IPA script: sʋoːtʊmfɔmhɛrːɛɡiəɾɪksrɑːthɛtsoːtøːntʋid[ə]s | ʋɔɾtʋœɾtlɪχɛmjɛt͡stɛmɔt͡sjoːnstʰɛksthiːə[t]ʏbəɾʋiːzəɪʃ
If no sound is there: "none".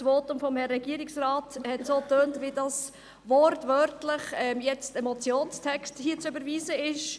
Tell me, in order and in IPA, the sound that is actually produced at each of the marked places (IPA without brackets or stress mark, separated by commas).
ɑ, t͡s